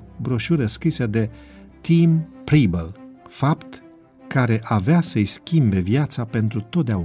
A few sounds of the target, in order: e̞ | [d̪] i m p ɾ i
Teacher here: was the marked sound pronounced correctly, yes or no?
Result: no